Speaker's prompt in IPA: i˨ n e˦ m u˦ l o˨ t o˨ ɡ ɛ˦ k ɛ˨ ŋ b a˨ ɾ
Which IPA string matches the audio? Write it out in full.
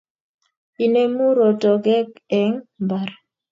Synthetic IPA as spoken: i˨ n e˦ m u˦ ɾ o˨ t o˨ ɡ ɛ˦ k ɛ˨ ŋ b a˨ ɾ